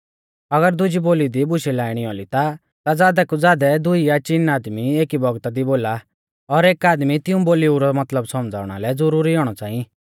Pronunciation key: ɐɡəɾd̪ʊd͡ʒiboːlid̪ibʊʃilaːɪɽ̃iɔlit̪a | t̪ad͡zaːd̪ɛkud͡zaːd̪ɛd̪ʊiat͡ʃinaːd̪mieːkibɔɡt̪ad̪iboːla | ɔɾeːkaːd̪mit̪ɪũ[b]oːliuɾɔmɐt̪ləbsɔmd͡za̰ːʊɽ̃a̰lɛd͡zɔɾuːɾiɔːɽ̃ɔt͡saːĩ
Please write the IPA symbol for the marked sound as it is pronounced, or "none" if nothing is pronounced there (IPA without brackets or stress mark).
b